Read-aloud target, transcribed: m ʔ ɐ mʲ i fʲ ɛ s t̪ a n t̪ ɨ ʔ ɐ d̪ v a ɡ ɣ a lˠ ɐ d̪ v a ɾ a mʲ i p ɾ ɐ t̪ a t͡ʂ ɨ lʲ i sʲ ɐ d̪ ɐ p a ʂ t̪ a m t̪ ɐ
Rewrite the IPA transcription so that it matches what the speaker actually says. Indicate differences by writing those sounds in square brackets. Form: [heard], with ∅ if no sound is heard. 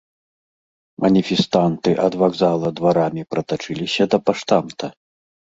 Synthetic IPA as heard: m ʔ ɐ [nʲ] i fʲ ɛ s t̪ a n t̪ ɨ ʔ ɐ d̪ v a ɡ [z] a lˠ ɐ d̪ v a ɾ a mʲ i p ɾ ɐ t̪ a t͡ʂ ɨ lʲ i sʲ ɐ d̪ ɐ p a ʂ t̪ a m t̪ ɐ